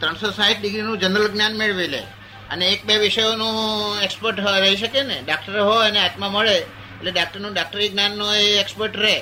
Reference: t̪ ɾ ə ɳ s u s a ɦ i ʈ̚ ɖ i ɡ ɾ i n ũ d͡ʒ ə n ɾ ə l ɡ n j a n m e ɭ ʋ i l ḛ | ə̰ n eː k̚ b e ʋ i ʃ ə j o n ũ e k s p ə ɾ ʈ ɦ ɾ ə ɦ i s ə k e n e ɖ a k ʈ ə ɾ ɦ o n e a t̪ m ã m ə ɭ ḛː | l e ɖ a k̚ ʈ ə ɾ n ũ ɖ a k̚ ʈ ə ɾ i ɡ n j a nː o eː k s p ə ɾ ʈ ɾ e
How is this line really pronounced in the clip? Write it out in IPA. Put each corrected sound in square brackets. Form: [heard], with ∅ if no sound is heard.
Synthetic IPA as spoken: t̪ ɾ ə ɳ s [o] s a ɦ i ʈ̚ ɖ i ɡ ɾ i n ũ d͡ʒ ə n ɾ ə l ɡ n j a n m e ɭ ʋ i l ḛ | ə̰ n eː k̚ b e ʋ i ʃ ə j o n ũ e k s p ə ɾ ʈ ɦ ɾ ə ɦ i [ʃ] ə k e n e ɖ a k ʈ ə ɾ ɦ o n e a t̪ m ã m ə ɭ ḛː | l e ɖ a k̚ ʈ ə ɾ n ũ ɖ a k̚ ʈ ə ɾ i ɡ n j a nː o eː k s p ə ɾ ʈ ɾ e